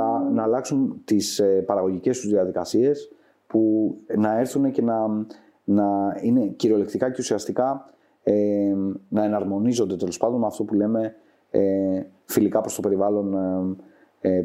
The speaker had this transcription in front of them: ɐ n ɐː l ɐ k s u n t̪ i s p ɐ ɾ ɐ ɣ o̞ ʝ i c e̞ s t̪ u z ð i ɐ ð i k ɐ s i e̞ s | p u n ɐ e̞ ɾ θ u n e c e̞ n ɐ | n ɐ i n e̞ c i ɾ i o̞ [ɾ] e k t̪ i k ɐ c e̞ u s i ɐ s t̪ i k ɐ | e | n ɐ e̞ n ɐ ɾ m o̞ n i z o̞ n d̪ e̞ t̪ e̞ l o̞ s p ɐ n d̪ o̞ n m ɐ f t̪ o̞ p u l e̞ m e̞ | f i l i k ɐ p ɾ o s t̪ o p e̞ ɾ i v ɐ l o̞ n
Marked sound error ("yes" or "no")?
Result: yes